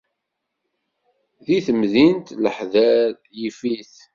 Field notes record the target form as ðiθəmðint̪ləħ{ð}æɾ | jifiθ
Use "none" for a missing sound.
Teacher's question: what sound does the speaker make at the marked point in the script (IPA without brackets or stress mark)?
ð